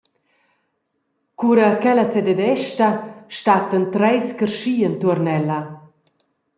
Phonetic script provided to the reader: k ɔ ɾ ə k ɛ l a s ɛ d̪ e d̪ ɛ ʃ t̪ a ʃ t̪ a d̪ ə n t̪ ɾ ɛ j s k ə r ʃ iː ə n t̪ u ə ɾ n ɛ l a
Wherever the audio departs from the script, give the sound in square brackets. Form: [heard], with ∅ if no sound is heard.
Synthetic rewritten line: k [u] ɾ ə k ɛ l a s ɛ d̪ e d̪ ɛ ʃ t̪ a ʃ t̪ a [t̪] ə n t̪ ɾ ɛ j s k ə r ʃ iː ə n t̪ u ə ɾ n ɛ l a